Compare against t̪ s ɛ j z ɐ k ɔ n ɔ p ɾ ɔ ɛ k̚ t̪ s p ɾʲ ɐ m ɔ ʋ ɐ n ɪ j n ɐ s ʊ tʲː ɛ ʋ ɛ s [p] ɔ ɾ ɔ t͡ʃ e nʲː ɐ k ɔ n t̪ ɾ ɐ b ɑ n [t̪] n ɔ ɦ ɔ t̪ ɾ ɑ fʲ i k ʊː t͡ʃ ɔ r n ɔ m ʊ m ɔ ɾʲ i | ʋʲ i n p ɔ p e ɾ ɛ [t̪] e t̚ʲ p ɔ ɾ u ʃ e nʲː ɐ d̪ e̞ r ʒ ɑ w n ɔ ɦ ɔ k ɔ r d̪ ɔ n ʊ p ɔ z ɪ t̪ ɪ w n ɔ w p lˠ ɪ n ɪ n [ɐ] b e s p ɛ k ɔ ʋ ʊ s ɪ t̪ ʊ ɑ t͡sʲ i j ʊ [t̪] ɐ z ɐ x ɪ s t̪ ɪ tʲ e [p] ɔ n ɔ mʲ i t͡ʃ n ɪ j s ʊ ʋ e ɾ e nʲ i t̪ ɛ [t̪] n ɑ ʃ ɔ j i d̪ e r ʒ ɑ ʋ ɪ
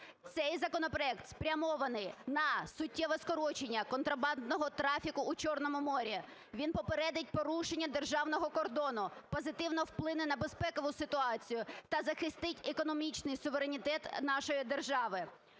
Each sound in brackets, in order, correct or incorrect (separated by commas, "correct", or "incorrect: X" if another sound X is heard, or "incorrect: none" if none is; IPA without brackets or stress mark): incorrect: k, incorrect: d̪, incorrect: d̪, correct, correct, incorrect: k, correct